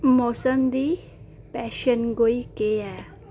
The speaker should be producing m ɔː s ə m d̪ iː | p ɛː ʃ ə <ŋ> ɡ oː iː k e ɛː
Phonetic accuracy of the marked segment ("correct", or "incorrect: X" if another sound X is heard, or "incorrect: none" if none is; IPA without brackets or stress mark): incorrect: n